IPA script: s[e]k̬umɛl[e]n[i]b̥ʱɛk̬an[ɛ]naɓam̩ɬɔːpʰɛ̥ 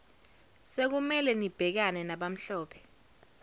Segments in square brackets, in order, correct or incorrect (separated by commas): correct, incorrect, correct, correct